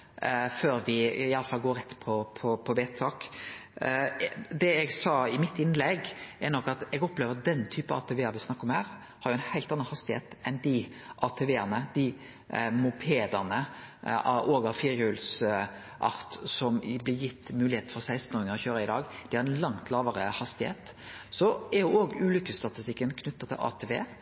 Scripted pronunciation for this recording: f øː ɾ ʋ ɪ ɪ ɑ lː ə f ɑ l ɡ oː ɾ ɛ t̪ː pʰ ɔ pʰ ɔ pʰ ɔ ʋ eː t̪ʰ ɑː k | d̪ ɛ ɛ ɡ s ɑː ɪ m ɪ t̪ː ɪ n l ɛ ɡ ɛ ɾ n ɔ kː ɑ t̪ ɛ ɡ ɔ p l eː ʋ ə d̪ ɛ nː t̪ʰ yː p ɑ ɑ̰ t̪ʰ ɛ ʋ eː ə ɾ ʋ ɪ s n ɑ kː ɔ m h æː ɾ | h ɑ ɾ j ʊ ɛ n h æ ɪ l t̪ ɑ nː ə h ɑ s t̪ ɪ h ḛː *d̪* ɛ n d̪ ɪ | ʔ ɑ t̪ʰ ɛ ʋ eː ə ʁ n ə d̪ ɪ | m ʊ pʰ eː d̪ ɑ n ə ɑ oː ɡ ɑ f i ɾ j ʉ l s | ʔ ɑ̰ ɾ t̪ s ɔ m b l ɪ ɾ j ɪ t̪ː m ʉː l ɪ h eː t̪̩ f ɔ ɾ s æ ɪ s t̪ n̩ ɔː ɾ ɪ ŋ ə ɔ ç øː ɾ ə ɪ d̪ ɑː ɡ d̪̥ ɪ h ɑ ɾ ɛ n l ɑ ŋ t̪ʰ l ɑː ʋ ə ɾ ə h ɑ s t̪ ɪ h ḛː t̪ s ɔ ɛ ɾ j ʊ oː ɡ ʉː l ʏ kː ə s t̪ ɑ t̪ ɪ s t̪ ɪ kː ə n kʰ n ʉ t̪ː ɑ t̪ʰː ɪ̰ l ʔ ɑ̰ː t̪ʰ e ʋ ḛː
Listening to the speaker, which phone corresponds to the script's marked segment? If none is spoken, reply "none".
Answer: t̪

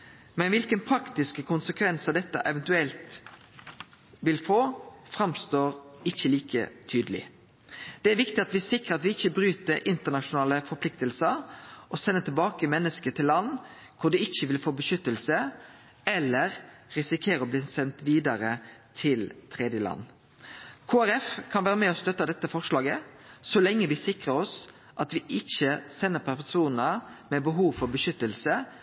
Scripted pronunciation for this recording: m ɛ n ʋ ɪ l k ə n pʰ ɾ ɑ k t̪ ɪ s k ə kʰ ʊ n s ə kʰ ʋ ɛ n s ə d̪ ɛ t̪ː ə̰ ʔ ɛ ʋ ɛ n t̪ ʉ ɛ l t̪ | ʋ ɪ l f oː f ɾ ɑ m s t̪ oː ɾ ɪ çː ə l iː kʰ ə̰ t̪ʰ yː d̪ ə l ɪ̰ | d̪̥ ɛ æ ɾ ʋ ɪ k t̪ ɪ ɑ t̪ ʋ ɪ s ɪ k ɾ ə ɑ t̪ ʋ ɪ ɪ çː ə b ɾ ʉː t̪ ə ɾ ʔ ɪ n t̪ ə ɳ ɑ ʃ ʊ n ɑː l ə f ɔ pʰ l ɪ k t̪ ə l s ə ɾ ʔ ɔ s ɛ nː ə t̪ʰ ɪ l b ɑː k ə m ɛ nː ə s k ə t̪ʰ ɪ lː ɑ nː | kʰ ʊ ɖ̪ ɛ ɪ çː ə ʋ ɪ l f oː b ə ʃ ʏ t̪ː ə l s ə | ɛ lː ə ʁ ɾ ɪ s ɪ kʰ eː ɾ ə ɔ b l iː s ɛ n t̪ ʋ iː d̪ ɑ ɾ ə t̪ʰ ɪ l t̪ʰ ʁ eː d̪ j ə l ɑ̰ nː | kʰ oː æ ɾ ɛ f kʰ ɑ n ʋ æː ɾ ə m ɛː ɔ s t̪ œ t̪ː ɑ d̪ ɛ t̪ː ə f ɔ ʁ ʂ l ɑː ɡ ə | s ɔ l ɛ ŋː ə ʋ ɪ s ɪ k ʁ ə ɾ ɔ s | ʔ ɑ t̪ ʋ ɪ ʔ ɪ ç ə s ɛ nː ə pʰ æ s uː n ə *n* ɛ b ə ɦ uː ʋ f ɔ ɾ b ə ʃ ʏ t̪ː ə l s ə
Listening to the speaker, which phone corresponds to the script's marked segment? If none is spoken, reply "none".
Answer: m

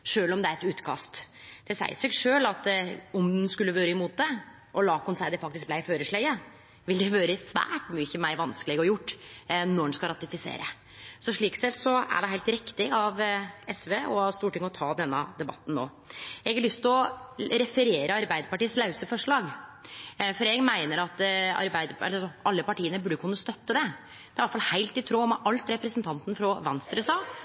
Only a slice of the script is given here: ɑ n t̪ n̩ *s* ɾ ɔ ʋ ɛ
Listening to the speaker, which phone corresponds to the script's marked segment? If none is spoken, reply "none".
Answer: f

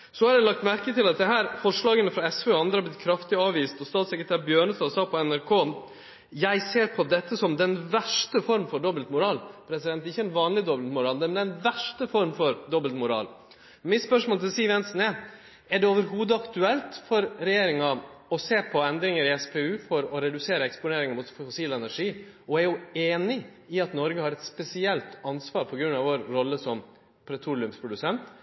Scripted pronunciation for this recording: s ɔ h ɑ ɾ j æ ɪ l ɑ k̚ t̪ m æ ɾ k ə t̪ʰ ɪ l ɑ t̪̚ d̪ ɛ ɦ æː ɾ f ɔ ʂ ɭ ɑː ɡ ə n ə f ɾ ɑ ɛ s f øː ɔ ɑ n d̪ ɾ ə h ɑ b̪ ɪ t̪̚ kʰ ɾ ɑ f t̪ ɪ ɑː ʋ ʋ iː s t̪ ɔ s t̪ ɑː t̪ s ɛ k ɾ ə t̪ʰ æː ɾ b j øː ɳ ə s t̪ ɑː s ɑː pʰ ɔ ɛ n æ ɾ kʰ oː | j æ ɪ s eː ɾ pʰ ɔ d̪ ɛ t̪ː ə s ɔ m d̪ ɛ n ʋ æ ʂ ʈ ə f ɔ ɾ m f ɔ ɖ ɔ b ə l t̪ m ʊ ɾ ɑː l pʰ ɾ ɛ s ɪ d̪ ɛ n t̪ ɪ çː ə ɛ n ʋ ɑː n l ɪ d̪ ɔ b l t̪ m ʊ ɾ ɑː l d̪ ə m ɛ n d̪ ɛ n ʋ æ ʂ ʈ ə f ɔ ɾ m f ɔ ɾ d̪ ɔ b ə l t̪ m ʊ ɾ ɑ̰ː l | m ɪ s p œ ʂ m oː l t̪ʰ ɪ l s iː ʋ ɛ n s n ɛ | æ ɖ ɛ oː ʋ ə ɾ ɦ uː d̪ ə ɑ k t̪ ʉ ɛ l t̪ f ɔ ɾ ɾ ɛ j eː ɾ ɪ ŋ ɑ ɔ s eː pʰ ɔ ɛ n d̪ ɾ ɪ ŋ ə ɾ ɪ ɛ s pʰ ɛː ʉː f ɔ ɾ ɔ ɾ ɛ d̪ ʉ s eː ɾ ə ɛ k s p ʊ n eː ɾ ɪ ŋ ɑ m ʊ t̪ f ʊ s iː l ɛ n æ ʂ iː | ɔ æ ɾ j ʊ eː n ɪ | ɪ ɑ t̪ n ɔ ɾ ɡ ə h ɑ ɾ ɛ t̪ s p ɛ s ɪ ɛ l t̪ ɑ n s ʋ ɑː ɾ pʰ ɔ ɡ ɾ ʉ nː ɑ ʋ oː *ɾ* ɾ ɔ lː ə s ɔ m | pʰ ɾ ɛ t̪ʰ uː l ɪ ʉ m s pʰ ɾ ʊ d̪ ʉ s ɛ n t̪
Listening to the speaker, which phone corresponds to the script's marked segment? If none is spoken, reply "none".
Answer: ɾ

